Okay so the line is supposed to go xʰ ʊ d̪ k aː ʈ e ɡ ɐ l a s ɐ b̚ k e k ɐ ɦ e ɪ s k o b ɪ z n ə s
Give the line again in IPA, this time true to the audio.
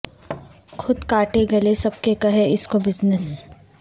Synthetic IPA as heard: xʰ ʊ d̪ k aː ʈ e ɡ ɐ l e s ɐ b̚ k e k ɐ ɦ e ɪ s k o b ɪ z n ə s